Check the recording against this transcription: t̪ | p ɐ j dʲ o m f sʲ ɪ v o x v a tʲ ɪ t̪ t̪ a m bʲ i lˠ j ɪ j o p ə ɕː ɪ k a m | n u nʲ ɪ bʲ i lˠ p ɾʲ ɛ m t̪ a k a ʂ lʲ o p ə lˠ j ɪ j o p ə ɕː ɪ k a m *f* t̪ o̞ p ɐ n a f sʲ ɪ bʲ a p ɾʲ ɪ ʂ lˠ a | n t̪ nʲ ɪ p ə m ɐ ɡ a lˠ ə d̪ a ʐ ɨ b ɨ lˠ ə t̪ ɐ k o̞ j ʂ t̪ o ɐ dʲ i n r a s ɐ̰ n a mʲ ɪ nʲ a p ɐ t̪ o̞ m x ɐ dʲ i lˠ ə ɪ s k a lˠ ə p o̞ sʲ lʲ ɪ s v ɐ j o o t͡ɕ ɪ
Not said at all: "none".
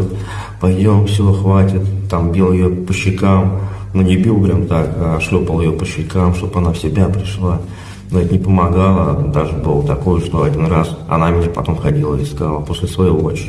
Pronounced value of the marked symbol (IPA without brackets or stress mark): ʂ